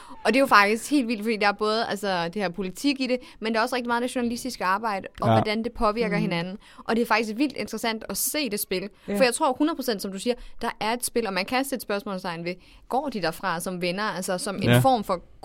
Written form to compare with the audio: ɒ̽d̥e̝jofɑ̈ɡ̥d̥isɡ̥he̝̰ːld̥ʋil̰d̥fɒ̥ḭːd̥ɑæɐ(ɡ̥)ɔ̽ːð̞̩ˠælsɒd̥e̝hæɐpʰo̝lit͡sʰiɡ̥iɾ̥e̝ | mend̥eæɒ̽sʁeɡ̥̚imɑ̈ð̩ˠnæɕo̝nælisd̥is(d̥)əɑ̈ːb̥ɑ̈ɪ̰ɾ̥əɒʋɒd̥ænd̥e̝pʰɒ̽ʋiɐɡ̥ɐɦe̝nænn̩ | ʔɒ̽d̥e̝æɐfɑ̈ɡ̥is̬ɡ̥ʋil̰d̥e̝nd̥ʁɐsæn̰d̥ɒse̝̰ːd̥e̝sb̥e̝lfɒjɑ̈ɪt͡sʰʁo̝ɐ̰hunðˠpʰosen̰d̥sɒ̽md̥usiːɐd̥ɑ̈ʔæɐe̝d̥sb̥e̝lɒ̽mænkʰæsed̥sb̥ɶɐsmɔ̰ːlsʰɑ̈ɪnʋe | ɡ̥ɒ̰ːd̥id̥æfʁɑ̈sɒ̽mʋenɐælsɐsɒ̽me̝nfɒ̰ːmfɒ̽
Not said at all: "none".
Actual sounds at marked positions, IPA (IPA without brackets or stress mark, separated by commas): b̥, ɡ̥